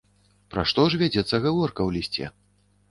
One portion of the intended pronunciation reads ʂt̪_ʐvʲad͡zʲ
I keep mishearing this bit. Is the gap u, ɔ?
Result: ɔ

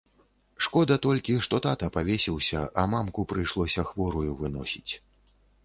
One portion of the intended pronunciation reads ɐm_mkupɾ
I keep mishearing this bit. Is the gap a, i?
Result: a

